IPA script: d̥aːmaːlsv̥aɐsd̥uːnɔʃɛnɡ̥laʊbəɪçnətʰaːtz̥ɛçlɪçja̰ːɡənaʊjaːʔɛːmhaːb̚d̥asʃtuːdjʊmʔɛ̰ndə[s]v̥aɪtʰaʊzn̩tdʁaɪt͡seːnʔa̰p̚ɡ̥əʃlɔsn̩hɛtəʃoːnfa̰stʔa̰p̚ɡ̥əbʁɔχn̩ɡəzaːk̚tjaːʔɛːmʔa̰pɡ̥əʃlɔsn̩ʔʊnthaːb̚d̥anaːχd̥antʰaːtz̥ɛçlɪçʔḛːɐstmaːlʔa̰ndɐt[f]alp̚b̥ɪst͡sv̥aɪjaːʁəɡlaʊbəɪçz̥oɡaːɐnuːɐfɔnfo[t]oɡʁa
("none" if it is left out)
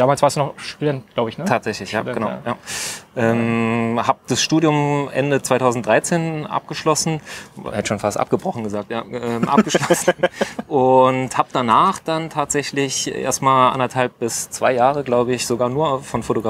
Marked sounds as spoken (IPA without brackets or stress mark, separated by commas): t͡s, h, t